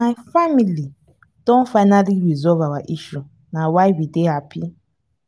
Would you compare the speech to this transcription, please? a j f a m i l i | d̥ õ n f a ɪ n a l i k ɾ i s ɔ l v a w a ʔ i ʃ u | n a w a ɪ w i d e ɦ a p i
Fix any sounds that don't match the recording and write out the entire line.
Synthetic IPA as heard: a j f a m i l i | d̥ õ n f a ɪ n a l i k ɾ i z ɔ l v a w a ʔ i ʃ u | n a w a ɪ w i d e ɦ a p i